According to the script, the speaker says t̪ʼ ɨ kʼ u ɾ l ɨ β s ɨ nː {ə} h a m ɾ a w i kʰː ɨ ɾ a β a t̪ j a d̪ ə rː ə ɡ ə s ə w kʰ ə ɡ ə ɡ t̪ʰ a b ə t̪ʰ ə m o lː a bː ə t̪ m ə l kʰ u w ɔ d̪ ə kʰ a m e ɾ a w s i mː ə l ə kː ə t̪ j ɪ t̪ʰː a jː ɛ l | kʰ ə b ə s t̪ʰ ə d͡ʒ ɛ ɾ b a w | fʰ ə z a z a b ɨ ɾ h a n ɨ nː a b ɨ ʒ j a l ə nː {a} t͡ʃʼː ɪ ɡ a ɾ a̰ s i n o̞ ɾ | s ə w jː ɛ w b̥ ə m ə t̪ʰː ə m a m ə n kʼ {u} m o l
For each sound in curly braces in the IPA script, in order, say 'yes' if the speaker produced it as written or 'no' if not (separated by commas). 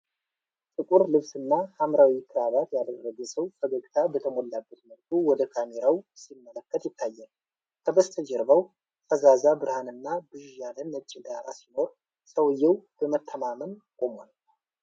no, no, no